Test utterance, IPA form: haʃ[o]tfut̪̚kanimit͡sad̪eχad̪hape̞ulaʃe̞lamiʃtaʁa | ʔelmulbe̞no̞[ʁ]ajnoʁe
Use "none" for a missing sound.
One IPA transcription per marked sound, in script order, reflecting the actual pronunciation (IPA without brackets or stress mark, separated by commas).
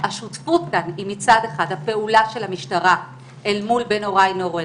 u, ʁ